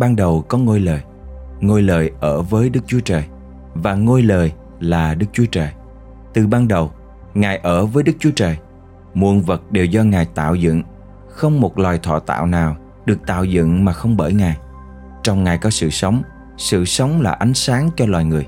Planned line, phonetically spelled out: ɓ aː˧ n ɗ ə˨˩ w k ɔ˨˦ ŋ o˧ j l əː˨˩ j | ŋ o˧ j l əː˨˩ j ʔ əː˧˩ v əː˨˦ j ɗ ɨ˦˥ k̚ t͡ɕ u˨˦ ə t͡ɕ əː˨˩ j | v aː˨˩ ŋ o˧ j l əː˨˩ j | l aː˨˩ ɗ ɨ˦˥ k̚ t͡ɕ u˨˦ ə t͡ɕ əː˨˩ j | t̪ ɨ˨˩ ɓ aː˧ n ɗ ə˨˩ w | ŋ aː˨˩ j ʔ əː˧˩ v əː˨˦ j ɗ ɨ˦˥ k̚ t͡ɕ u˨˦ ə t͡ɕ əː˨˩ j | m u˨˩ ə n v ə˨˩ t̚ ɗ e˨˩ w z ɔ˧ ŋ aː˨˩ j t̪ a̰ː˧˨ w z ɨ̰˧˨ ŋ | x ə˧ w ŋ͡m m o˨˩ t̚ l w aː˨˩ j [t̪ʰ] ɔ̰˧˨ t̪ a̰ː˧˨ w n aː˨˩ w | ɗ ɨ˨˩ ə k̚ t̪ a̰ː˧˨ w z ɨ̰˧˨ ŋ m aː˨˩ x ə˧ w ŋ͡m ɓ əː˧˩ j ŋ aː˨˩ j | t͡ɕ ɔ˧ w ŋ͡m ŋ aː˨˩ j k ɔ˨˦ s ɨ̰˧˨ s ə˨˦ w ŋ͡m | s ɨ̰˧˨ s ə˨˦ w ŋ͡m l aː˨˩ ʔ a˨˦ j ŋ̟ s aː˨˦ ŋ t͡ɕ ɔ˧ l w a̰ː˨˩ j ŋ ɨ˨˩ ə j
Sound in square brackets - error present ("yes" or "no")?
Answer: no